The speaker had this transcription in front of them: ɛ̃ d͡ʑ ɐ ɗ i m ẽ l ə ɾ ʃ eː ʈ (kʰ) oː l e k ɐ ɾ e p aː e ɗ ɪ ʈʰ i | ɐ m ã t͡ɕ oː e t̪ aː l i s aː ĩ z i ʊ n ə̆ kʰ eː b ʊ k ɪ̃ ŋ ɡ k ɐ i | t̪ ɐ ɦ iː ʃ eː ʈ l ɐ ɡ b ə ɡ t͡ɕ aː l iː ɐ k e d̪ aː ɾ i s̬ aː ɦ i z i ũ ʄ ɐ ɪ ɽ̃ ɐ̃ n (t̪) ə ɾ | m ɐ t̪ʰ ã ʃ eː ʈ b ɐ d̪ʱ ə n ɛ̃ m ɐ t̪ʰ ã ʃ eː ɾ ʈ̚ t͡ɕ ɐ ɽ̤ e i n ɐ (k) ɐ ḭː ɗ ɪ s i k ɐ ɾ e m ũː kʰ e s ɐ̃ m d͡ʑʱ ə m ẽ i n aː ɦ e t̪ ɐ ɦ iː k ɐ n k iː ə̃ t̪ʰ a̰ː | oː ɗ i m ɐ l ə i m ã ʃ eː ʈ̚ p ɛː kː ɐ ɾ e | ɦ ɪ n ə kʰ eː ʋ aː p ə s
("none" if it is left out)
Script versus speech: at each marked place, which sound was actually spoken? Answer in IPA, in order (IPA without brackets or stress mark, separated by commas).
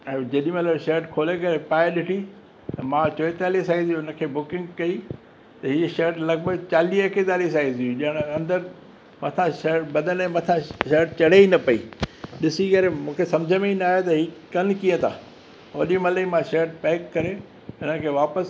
kʰ, d̪, p